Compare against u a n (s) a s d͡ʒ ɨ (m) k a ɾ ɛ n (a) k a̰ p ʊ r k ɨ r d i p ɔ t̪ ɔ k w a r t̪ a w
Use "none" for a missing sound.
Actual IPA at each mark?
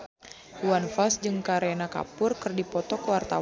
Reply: f, ŋ, a

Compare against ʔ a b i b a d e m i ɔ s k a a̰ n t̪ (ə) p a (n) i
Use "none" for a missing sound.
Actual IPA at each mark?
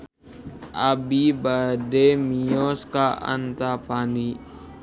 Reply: a, n

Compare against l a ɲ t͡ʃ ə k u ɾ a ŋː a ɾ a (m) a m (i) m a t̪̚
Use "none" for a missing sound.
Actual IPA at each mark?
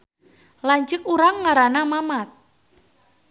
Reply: n, a

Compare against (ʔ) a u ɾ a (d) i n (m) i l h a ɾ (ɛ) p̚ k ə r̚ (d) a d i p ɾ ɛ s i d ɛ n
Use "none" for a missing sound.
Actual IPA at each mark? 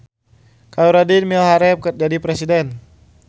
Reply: k, d, m, ɛ, d͡ʒ

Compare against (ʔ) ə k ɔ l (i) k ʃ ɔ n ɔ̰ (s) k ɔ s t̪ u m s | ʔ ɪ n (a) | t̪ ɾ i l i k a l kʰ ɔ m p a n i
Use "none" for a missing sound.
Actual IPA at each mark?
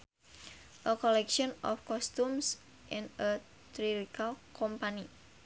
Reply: ʔ, ɛ, f, ə

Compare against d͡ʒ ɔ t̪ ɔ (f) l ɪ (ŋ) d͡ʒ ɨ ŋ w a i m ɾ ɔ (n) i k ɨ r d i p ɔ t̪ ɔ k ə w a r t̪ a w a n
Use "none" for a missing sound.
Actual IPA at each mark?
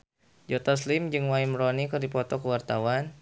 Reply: s, m, n

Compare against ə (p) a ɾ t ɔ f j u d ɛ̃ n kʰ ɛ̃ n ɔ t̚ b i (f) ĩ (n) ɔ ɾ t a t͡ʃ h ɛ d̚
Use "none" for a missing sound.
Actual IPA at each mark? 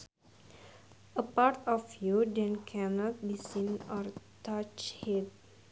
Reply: p, s, n

